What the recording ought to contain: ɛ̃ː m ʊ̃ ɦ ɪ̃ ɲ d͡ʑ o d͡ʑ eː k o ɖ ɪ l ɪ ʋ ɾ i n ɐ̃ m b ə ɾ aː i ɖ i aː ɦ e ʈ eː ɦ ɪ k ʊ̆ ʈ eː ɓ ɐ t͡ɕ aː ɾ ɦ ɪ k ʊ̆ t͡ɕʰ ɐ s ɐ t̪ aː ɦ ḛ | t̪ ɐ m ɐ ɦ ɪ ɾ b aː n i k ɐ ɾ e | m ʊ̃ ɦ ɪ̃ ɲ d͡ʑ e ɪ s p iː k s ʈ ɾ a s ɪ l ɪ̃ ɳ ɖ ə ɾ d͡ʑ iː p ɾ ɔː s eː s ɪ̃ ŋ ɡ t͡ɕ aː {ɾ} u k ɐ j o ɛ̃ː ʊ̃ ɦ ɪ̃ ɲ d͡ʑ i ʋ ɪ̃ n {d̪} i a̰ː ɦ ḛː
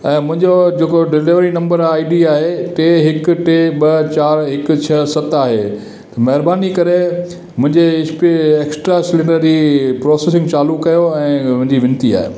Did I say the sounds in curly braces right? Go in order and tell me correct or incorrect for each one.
incorrect, incorrect

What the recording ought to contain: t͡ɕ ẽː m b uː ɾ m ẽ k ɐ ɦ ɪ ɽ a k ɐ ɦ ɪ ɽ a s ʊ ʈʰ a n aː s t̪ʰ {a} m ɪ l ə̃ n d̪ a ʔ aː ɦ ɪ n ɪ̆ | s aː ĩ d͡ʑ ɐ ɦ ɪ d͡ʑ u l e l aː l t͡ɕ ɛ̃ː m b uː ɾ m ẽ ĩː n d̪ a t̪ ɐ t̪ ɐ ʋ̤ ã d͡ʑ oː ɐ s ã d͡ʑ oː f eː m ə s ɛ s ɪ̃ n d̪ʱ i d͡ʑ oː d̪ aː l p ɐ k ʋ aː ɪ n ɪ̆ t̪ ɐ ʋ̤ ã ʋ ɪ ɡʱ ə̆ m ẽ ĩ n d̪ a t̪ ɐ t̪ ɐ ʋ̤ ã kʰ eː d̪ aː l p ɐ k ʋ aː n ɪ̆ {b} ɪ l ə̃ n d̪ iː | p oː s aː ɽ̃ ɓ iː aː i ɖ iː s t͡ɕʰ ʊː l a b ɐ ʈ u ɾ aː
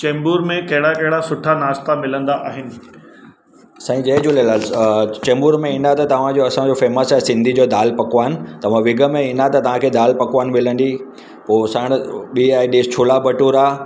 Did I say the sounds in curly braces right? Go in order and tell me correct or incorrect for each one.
correct, incorrect

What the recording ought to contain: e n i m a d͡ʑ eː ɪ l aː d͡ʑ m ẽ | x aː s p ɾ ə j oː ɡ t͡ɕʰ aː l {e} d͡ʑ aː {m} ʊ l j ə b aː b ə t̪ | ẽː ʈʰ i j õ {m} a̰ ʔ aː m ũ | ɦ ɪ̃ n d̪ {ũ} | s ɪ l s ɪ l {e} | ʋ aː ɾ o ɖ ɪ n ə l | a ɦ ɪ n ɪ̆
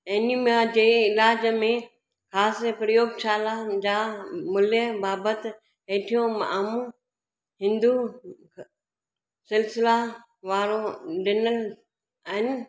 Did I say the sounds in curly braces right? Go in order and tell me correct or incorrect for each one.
incorrect, correct, correct, incorrect, incorrect

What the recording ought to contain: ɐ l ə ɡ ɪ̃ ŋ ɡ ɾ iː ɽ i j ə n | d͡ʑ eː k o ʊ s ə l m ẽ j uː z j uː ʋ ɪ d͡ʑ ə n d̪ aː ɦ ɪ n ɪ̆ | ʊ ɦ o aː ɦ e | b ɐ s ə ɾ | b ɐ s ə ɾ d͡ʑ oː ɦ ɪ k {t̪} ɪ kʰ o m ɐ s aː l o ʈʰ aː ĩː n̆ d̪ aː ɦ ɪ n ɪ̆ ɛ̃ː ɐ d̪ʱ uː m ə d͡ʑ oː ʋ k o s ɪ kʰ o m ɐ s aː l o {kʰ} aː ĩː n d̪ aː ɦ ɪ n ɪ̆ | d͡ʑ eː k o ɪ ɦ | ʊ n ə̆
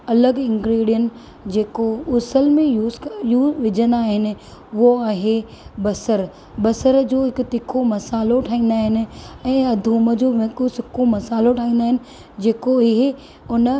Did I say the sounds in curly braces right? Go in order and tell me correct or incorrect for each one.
correct, incorrect

